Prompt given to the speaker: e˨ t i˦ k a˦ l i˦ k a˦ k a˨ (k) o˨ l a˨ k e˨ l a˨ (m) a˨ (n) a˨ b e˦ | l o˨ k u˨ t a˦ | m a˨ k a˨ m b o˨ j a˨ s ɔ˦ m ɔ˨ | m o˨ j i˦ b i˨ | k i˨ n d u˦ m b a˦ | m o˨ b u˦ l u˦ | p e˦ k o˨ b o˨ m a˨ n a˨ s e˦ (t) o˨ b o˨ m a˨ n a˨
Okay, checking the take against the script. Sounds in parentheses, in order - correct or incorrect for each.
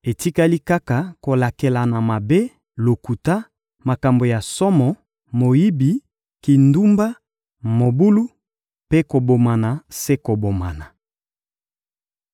correct, incorrect: n, incorrect: m, incorrect: k

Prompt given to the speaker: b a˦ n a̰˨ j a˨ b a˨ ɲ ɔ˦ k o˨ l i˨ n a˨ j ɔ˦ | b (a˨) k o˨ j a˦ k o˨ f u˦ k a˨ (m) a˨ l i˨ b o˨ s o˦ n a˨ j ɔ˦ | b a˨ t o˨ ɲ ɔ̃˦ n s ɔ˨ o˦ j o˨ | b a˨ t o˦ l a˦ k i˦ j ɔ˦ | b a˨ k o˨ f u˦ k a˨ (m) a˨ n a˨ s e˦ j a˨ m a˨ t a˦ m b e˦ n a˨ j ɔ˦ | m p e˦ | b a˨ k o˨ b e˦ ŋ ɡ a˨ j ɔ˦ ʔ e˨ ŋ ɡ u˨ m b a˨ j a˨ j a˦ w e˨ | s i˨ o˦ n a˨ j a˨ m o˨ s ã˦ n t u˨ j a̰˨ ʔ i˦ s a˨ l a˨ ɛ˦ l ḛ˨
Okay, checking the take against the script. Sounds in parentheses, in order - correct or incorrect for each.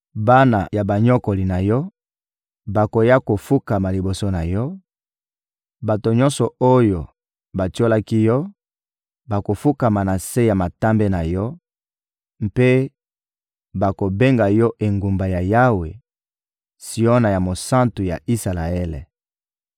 correct, correct, correct

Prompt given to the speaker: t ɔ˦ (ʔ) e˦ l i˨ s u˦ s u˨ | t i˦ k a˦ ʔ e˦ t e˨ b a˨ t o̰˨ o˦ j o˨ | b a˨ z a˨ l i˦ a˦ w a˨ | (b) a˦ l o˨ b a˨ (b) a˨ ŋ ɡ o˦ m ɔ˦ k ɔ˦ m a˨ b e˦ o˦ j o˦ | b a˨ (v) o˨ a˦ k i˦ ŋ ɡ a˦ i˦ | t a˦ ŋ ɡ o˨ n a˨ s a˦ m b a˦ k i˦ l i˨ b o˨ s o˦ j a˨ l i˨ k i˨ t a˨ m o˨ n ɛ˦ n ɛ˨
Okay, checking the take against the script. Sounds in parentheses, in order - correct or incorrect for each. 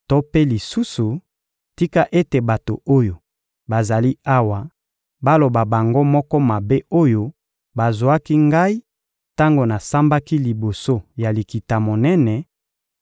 incorrect: p, correct, correct, incorrect: z

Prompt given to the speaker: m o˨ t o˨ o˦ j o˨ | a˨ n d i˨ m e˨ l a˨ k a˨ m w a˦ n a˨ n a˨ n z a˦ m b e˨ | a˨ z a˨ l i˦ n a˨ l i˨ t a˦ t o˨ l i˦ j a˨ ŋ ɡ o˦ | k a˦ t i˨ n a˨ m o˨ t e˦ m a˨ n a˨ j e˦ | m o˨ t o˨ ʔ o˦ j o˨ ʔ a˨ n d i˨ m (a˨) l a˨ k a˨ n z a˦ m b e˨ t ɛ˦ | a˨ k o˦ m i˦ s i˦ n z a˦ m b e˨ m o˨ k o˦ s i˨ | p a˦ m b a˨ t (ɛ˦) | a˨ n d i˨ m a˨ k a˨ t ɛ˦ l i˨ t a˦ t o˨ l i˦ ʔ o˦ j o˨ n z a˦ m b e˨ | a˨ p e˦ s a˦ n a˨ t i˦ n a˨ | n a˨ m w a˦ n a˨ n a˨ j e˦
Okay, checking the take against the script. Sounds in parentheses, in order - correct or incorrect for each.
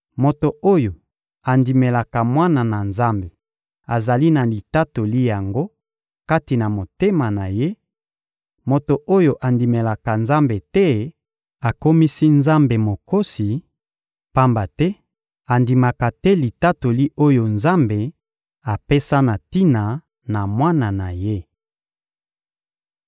incorrect: e˨, correct

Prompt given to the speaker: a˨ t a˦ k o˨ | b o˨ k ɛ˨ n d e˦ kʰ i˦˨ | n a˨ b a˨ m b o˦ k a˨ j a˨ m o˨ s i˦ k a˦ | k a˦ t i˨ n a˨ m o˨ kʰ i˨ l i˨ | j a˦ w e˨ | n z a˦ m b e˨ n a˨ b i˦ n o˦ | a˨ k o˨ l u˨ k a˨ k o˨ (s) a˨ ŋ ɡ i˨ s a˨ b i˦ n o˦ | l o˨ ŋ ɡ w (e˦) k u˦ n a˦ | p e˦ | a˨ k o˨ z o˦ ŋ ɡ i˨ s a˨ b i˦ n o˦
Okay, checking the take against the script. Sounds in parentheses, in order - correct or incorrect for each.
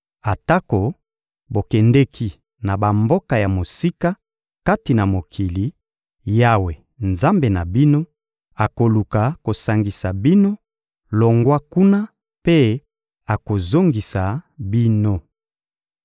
correct, incorrect: a˦

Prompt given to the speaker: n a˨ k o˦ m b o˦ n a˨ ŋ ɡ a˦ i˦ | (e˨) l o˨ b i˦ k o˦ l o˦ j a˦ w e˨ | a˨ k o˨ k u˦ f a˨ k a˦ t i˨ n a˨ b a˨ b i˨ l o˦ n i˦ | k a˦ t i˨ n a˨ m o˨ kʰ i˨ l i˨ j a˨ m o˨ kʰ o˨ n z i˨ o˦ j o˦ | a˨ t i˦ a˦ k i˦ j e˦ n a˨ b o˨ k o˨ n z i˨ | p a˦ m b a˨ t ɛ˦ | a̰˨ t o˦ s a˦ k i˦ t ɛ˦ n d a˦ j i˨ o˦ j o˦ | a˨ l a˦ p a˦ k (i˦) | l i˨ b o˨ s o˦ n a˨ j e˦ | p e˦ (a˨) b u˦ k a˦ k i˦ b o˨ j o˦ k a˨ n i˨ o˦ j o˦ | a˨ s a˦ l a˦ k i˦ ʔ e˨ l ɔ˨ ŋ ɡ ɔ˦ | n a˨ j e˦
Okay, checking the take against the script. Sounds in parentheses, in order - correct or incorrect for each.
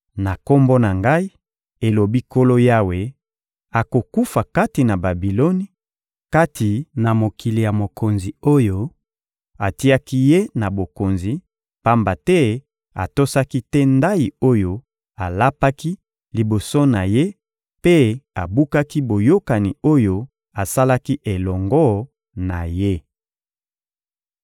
correct, correct, correct

